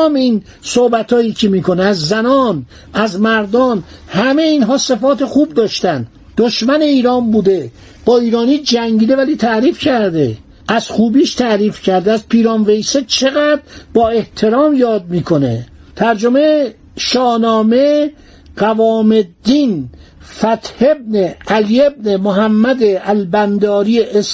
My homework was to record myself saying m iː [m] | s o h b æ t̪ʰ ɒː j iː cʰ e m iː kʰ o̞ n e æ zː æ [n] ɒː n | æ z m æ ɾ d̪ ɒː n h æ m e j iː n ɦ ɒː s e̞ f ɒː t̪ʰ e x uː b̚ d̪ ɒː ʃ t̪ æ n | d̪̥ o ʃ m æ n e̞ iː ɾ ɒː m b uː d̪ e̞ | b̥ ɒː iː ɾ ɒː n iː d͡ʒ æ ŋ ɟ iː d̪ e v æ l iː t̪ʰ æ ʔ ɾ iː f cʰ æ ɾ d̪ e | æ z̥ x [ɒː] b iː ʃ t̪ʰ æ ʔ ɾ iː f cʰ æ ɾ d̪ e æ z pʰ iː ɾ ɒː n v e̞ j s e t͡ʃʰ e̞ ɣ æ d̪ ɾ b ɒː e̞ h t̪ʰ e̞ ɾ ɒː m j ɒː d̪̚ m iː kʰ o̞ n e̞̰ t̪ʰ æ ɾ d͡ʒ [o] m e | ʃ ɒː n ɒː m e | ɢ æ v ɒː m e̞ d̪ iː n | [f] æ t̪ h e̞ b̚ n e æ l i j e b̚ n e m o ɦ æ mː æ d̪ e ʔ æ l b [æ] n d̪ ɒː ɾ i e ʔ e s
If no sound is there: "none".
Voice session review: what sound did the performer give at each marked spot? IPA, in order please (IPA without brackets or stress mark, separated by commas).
n, n, uː, o, f, æ